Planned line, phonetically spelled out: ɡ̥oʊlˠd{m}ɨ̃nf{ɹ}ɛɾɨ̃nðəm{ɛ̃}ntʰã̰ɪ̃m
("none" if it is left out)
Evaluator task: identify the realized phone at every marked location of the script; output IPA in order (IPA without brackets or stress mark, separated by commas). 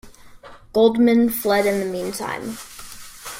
m, l, ĩ